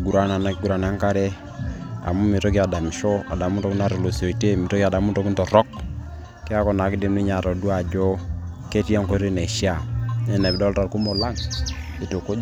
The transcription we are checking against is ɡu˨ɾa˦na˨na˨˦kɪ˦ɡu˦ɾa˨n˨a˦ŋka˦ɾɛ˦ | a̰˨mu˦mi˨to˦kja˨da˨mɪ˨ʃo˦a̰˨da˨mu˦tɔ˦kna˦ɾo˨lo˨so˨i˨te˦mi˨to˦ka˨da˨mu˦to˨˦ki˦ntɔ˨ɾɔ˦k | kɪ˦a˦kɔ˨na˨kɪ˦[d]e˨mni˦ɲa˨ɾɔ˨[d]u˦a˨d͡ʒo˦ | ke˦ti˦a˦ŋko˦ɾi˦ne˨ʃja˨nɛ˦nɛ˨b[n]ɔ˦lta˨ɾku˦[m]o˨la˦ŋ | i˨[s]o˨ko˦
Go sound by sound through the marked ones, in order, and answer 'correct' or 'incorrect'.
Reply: correct, correct, incorrect: d, correct, incorrect: t

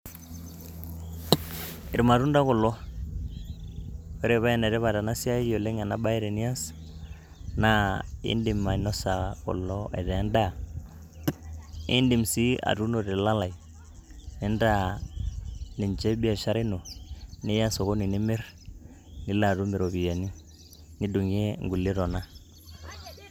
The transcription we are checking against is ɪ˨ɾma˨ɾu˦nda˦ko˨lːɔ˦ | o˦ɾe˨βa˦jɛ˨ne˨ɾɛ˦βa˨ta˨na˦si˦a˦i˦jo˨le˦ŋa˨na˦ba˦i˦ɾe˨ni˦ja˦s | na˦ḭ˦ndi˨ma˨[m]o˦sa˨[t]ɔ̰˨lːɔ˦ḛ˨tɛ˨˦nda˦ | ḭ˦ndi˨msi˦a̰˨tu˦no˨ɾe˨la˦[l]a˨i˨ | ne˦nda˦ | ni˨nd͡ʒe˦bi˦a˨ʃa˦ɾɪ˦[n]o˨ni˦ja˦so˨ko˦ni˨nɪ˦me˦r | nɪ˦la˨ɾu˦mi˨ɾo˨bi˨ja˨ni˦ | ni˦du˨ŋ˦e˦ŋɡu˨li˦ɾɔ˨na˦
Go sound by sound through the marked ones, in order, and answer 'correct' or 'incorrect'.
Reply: incorrect: n, incorrect: k, correct, correct

